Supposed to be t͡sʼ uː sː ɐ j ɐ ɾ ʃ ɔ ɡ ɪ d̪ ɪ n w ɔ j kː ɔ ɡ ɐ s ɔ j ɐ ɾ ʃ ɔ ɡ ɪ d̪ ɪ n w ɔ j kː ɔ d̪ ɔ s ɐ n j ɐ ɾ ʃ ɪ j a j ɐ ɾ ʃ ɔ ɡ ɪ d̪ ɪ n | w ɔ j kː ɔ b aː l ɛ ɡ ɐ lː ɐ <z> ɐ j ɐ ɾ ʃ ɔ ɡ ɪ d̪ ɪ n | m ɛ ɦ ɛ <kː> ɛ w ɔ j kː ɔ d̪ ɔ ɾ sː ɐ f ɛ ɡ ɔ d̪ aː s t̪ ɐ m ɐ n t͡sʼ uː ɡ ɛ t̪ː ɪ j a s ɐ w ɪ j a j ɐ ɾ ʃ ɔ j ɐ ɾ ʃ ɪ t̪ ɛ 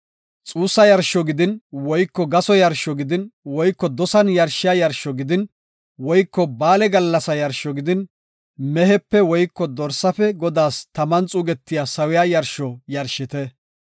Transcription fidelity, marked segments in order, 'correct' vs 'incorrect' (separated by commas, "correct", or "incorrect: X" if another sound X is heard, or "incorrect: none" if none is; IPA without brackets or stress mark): incorrect: s, incorrect: pː